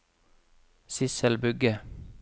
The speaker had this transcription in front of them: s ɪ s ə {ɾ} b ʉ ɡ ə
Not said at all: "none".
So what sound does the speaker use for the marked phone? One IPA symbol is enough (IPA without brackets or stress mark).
l